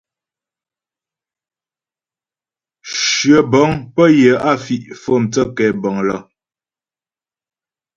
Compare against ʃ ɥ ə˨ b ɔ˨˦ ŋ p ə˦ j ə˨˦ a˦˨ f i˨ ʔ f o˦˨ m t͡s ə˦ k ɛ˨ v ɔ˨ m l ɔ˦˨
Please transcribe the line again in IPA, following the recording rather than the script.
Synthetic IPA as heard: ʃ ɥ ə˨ b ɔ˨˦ ŋ p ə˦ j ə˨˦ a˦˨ f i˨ ʔ f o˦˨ m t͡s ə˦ k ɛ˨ b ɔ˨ ŋ l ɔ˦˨